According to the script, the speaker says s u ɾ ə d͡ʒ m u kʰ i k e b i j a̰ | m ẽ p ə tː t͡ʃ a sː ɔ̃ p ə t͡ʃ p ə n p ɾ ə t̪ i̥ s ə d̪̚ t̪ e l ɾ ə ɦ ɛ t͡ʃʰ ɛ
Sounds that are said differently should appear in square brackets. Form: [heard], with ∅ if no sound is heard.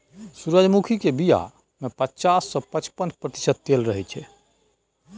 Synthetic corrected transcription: s u ɾ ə d͡ʒ m u kʰ i k e b i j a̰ | m [e] p ə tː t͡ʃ a sː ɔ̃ p ə t͡ʃ p ə n p ɾ ə t̪ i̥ s ə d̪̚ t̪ e l ɾ ə ɦ ɛ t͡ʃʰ ɛ